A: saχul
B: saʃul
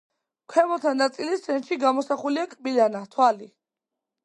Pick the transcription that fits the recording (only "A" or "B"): A